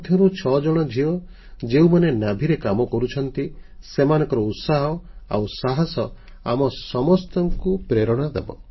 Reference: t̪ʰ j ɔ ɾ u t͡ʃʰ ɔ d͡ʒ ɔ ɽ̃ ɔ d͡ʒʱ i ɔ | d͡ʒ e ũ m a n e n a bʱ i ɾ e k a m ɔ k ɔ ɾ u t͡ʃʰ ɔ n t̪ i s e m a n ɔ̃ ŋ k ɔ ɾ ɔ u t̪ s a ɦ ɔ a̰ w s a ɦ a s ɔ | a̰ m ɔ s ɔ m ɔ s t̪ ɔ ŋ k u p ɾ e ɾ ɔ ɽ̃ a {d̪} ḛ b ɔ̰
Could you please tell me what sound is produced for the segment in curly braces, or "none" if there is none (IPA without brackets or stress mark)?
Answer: d̪